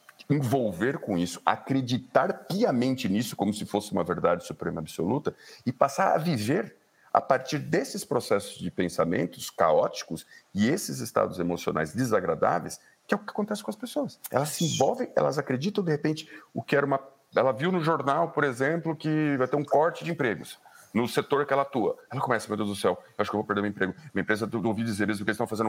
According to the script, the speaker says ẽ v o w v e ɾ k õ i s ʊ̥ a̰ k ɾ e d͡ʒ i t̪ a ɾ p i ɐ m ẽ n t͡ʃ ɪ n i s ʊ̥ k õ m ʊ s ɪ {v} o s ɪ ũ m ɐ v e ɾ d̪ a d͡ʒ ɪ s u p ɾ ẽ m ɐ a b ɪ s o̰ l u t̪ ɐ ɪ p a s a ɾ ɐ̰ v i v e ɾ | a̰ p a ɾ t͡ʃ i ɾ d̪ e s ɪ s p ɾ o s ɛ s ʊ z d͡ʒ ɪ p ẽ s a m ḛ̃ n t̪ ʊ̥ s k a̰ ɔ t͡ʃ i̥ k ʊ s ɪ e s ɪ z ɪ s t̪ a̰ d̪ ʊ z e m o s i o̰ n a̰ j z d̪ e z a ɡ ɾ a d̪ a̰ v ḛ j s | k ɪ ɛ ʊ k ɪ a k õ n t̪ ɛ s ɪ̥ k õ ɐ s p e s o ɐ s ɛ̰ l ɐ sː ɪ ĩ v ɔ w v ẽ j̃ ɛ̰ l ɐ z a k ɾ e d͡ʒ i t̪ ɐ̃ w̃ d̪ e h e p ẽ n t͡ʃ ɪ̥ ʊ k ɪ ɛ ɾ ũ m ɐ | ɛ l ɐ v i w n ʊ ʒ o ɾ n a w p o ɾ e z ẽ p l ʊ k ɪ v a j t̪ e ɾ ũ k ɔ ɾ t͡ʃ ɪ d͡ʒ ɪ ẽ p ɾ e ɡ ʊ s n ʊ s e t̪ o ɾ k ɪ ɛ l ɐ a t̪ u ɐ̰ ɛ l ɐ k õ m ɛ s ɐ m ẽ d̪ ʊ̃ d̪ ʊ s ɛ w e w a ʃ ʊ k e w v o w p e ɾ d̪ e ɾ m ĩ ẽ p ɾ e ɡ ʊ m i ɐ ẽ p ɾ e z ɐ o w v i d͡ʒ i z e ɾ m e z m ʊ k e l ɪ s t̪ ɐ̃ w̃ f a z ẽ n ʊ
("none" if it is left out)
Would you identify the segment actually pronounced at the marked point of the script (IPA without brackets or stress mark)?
f